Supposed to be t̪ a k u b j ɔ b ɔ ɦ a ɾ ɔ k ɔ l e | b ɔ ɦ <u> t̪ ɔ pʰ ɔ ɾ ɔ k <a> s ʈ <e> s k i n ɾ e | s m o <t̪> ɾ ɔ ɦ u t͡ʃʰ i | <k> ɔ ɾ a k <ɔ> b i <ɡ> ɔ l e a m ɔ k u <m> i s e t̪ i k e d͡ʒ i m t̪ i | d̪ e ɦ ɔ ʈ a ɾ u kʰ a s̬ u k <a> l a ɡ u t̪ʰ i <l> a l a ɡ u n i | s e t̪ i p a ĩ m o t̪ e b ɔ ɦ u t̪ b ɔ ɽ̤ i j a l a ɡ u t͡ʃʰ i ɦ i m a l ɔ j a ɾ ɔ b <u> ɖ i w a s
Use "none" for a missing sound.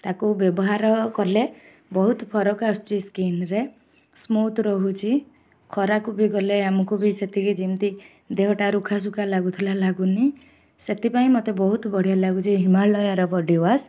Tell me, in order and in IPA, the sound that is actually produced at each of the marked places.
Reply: u, a, i, t̪, kʰ, u, ɡ, b, a, l, ɔ

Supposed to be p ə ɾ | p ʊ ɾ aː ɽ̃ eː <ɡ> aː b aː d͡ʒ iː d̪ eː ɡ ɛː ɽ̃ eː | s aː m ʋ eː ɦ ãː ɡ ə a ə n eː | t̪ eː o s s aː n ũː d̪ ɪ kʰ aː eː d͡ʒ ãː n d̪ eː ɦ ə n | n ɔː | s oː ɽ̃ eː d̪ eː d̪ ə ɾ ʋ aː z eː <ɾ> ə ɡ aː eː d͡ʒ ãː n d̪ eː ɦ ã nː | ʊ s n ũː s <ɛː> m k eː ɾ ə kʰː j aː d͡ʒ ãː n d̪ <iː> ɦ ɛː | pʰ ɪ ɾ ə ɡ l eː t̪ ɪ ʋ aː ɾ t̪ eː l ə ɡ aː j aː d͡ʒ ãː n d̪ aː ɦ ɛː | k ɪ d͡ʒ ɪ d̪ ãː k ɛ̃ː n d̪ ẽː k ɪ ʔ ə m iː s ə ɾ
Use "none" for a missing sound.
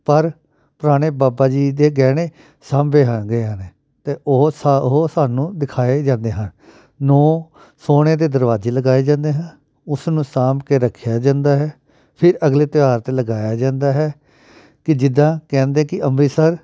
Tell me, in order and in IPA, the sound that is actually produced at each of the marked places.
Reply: b, l, aː, aː

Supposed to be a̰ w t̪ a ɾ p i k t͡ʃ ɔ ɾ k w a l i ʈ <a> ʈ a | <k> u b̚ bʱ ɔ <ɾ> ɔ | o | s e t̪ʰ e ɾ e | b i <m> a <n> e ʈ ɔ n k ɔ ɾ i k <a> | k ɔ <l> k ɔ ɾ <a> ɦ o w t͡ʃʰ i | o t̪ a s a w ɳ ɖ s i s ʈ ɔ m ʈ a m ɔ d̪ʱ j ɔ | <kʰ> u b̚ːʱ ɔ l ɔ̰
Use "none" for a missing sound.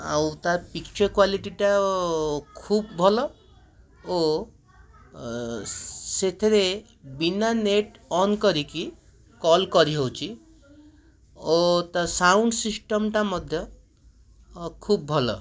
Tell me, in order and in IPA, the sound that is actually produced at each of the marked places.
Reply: i, kʰ, l, n, n, i, l, i, kʰ

